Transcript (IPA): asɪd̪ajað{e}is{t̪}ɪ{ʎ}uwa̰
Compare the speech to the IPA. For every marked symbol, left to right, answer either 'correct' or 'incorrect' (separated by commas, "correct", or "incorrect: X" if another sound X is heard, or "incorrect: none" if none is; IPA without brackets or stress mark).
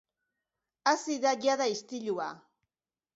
incorrect: a, correct, correct